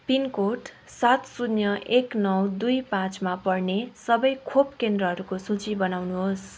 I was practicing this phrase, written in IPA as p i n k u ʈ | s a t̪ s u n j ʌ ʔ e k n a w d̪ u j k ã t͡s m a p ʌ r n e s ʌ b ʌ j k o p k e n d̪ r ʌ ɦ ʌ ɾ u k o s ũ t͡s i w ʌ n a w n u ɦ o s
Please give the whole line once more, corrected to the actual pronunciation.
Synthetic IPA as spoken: p i n k o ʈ | s a t̪ s u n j ʌ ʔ e k n ʌ w d̪ u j p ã t͡s m a p ʌ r n e s ʌ b ʌ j kʰ o p k e n d̪ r ʌ ɦ ʌ ɾ u k o s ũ t͡s i b ʌ n a w n u ɦ o s

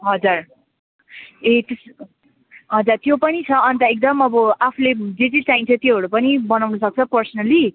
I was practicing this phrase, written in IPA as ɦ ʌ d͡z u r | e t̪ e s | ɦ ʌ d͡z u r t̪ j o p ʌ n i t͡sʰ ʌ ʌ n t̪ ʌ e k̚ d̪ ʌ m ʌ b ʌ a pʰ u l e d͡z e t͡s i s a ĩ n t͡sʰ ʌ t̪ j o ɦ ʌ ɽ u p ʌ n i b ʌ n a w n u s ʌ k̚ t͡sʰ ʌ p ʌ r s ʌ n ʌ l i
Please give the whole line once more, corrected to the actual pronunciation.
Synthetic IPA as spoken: ɦ ʌ d͡z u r | e t̪ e s | ɦ ʌ d͡z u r t̪ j o p ʌ n i t͡sʰ ʌ ʌ n t̪ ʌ e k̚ d̪ ʌ m ʌ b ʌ a pʰ u l e d͡z e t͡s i t͡s a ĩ n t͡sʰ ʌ t̪ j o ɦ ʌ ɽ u p ʌ n i b ʌ n a w n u s ʌ k̚ t͡sʰ ʌ p ʌ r s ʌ n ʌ l i

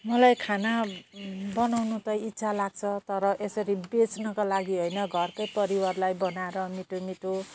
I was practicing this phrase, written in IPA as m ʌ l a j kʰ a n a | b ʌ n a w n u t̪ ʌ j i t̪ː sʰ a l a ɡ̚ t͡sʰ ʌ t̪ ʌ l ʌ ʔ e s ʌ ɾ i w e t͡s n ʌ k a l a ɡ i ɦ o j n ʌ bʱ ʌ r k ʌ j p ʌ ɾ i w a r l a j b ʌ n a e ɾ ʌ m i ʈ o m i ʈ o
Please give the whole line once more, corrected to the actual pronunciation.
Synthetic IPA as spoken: m ʌ l a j kʰ a n a | b ʌ n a w n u t̪ ʌ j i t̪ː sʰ a l a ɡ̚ t͡sʰ ʌ t̪ ʌ ɾ ʌ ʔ e s ʌ ɾ i b e t͡s n ʌ k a l a ɡ i ɦ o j n ʌ ɡʱ ʌ r k ʌ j p ʌ ɾ i w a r l a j b ʌ n a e ɾ ʌ m i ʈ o m i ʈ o

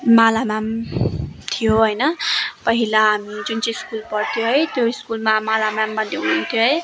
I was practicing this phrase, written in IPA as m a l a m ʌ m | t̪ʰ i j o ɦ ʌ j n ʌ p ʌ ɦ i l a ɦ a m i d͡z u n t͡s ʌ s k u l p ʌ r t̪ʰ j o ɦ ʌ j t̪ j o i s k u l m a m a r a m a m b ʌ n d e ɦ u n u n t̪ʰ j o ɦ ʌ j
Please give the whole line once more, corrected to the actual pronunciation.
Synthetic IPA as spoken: m a l a m a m | t̪ʰ i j o ɦ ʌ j n ʌ p ʌ ɦ i l a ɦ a m i d͡z u n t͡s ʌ s k u l p ʌ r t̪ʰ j o ɦ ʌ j t̪ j o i s k u l m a m a l a m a m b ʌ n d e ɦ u n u n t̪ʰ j o ɦ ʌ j

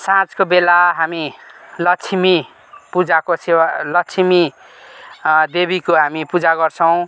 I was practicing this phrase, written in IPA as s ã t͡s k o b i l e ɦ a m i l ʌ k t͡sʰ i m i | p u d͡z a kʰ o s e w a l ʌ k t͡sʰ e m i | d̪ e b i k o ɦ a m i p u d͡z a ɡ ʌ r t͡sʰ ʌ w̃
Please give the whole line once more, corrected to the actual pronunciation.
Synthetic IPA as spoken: s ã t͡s k o b e l a ɦ a m i l ʌ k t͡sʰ i m i | p u d͡z a k o s e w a l ʌ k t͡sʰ i m i | d̪ e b i k o ɦ a m i p u d͡z a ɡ ʌ r t͡sʰ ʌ w̃

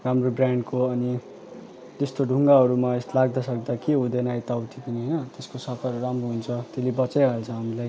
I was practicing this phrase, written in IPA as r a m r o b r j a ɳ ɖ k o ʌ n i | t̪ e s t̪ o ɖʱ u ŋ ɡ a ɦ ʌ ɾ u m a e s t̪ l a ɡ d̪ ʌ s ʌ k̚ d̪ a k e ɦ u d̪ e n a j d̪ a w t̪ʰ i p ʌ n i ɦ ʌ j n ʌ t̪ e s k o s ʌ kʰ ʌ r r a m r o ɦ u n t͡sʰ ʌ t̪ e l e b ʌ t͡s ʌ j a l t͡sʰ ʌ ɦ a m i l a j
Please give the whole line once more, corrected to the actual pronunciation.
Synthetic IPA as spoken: r a m r o b r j a ɳ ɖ k o ʌ n i | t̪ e s t̪ o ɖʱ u ŋ ɡ a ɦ ʌ ɾ u m a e s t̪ l a ɡ d̪ ʌ s ʌ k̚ d̪ a k e ɦ u d̪ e n a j t̪ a w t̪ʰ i p ʌ n i ɦ ʌ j n ʌ t̪ e s k o s ʌ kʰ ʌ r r a m r o ɦ u n t͡sʰ ʌ t̪ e l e b ʌ t͡s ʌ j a l t͡sʰ ʌ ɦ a m i l a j

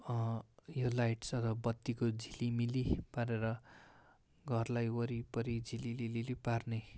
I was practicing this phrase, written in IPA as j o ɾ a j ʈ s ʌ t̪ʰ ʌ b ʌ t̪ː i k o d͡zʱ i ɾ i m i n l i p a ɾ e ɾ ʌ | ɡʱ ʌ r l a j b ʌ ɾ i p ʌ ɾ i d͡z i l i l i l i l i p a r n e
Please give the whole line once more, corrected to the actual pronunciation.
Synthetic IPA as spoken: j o l a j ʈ s ʌ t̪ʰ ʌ b ʌ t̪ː i k o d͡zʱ i l i m i l i p a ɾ e ɾ ʌ | ɡʱ ʌ r l a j w ʌ ɾ i p ʌ ɾ i d͡z i l i l i l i l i p a r n e

